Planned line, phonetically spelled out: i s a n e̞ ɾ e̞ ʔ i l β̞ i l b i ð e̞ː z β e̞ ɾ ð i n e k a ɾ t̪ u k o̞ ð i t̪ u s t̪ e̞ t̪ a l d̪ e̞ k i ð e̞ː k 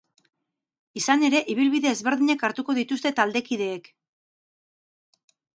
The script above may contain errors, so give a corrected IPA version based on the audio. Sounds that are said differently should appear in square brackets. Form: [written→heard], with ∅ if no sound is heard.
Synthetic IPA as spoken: i s a n e̞ ɾ e̞ ʔ i [l→∅] β̞ i l [b→β] i ð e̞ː z β e̞ ɾ ð i [n→ɲ] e k a ɾ t̪ u k o̞ ð i t̪ u s t̪ e̞ t̪ a l d̪ e̞ k i ð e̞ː k